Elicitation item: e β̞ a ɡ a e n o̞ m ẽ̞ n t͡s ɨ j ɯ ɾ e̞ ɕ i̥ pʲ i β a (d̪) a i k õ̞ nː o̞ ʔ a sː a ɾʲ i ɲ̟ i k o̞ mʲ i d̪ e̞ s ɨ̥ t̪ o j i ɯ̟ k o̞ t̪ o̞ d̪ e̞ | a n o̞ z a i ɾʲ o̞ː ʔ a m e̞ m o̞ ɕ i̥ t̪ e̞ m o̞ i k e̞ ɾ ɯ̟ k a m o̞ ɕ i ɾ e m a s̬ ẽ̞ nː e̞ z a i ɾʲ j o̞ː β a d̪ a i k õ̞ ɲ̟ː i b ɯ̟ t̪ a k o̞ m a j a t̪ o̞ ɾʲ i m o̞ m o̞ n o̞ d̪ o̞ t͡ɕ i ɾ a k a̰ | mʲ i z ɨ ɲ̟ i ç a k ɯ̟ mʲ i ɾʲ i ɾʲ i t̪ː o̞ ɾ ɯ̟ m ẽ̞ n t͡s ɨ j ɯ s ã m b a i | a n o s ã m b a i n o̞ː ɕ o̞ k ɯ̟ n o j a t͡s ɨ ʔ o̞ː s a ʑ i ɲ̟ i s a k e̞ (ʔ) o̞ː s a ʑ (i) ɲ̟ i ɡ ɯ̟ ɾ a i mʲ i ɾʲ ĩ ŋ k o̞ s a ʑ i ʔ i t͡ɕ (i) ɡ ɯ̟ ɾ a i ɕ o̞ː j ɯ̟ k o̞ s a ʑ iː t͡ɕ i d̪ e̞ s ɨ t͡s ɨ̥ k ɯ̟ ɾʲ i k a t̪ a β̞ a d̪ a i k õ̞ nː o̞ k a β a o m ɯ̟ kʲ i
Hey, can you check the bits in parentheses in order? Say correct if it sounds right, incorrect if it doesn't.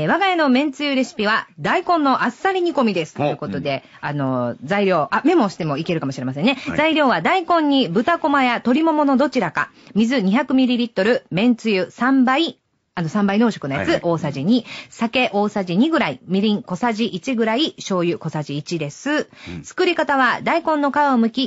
correct, correct, correct, correct

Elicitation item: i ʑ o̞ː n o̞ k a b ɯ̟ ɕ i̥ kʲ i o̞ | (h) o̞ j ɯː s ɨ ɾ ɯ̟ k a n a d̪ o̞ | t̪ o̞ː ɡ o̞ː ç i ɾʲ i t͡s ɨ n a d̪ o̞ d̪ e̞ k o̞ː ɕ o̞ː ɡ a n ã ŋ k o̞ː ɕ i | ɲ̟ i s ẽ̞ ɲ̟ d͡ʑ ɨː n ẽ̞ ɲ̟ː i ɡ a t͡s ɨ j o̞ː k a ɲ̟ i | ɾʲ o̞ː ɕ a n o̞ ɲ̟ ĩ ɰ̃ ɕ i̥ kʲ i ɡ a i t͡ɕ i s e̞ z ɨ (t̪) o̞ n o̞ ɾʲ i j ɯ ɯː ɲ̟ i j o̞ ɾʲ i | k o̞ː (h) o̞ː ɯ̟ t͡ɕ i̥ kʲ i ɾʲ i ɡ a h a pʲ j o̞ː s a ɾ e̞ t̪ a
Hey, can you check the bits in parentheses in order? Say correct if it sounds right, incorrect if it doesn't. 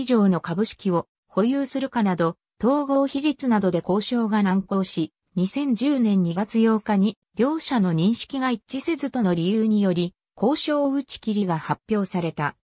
correct, correct, incorrect: ɕ

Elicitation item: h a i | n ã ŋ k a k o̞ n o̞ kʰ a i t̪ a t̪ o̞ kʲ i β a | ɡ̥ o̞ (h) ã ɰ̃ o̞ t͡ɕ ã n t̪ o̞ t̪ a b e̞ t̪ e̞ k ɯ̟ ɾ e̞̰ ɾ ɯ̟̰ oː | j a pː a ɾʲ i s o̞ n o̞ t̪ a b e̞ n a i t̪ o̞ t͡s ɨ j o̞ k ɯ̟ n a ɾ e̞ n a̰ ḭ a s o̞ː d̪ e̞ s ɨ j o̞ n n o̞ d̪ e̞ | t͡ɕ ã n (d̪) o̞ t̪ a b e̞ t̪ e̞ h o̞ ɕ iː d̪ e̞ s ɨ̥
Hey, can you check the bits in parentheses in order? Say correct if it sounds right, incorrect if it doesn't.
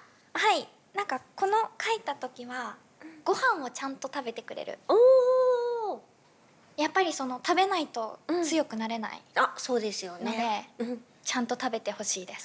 correct, incorrect: t̪

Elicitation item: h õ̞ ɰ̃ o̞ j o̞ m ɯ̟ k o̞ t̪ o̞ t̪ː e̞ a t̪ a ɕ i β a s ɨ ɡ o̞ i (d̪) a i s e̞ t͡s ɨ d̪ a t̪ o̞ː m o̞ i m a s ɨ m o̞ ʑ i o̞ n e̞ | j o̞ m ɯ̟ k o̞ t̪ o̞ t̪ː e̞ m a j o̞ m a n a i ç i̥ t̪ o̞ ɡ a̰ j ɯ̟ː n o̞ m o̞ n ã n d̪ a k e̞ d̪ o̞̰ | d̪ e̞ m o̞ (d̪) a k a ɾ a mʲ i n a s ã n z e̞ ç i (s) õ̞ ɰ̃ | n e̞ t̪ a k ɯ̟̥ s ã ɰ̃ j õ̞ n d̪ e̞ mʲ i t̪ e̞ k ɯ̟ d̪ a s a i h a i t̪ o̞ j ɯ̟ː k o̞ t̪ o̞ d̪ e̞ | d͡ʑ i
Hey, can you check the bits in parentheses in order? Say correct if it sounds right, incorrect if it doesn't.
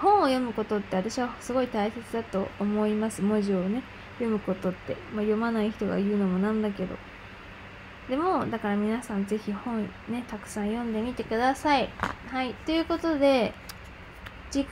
incorrect: t̪, correct, incorrect: h

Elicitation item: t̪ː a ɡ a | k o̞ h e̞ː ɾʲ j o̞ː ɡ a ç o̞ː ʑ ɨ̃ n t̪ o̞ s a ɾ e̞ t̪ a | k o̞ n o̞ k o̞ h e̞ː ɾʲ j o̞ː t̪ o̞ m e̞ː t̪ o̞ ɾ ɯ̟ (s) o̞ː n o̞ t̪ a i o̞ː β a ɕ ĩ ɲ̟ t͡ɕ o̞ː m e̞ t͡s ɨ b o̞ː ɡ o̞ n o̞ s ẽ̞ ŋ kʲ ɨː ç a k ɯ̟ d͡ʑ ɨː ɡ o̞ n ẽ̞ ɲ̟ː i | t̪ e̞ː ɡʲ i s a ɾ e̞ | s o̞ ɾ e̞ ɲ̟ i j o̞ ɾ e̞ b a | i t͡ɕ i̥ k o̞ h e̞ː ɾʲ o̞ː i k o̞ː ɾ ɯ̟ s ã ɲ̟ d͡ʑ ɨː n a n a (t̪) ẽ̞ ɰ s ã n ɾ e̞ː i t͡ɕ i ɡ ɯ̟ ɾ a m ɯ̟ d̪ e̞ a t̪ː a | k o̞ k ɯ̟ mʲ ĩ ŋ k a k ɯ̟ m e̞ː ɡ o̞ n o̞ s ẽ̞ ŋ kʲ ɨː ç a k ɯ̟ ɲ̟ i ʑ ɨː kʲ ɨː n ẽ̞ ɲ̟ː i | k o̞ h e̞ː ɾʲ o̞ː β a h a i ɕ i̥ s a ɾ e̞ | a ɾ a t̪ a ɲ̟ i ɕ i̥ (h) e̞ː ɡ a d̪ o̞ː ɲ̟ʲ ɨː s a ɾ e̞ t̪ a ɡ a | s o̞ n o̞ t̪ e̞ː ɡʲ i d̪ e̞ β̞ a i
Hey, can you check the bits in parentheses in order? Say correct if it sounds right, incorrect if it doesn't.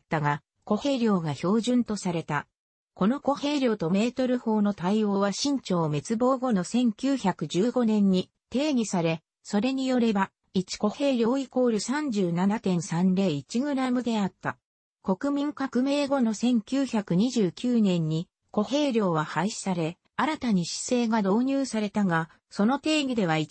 incorrect: h, correct, incorrect: s

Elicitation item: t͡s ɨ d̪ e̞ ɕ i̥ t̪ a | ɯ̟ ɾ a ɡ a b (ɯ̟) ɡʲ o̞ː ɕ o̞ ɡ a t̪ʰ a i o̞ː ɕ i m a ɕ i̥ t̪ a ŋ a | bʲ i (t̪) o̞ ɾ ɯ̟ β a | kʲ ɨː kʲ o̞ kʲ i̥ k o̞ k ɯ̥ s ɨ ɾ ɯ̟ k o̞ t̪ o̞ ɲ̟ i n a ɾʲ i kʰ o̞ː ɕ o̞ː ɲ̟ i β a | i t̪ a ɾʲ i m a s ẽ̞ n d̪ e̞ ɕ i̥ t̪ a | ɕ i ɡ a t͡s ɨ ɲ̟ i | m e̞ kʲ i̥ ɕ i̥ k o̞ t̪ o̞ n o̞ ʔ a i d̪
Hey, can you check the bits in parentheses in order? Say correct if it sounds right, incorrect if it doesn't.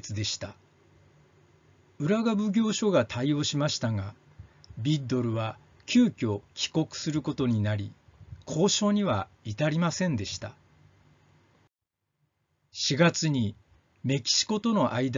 correct, incorrect: d̪

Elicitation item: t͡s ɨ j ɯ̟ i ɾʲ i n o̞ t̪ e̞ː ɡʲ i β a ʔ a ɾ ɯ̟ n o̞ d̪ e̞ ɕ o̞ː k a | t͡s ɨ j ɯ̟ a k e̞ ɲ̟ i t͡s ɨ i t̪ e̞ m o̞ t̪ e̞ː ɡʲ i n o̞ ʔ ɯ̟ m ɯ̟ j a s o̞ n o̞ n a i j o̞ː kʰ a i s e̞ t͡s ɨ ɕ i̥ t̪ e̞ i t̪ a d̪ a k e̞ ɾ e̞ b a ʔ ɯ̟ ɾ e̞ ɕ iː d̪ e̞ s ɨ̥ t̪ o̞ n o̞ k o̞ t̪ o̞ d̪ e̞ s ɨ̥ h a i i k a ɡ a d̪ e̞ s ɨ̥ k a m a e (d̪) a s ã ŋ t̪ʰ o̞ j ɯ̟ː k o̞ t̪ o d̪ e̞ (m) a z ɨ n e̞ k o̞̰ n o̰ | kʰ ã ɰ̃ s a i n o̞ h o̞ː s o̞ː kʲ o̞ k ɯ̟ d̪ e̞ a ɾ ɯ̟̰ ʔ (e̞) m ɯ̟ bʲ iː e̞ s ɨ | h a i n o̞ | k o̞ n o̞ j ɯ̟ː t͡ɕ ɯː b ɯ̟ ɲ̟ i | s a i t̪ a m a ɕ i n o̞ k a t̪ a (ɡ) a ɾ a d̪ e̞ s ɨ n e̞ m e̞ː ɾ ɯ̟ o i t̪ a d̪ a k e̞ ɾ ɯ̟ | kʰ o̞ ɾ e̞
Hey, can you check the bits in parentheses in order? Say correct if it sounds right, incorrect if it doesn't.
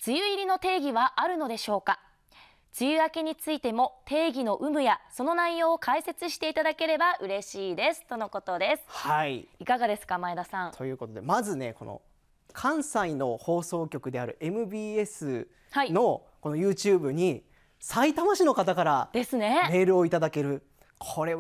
correct, correct, correct, incorrect: k

